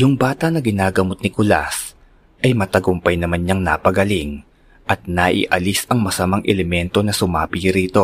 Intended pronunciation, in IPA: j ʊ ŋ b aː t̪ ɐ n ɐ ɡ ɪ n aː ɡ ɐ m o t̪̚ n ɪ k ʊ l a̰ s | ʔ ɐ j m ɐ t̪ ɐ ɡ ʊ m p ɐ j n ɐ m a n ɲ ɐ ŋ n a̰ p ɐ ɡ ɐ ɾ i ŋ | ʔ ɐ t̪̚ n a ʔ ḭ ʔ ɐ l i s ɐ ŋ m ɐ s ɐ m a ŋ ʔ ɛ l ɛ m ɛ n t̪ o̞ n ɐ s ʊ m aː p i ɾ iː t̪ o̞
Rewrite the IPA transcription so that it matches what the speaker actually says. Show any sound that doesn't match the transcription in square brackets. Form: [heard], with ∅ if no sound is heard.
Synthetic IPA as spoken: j ʊ ŋ b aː t̪ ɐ n ɐ ɡ ɪ n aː ɡ ɐ m o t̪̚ n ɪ k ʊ l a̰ s | ʔ ɐ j m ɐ t̪ ɐ ɡ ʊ m p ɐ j n ɐ m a n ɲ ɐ ŋ n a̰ p ɐ ɡ ɐ [l] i ŋ | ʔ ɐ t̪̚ n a ʔ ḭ ʔ ɐ l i s ɐ ŋ m ɐ s ɐ m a ŋ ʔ ɛ l ɛ m ɛ n t̪ o̞ n ɐ s ʊ m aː p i ɾ iː t̪ o̞